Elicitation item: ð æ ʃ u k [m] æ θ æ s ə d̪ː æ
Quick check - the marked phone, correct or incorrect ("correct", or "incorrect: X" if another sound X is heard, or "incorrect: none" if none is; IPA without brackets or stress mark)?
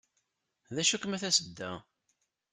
correct